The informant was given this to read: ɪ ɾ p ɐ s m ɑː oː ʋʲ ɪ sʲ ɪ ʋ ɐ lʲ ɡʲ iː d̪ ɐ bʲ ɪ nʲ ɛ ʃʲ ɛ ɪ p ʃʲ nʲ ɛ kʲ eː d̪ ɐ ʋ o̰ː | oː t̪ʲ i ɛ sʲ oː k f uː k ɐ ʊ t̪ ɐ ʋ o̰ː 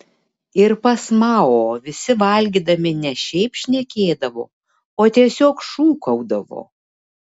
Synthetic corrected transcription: ɪ ɾ p ɐ s m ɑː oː ʋʲ ɪ sʲ ɪ ʋ ɐ lʲ ɡʲ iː d̪ ɐ mʲ ɪ nʲ ɛ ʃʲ ɛ ɪ p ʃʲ nʲ ɛ kʲ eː d̪ ɐ ʋ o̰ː | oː t̪ʲ i ɛ sʲ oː k ʃ uː k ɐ ʊ d̪ ɐ ʋ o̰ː